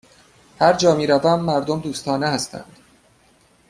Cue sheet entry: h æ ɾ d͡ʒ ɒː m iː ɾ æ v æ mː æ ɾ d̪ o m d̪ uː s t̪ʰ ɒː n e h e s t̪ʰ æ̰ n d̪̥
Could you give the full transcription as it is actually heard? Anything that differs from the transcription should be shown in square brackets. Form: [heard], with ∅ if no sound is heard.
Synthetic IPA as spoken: h æ ɾ d͡ʒ ɒː m iː ɾ æ v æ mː æ ɾ d̪ o m d̪ uː s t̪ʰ ɒː n e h [æ] s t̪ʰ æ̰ n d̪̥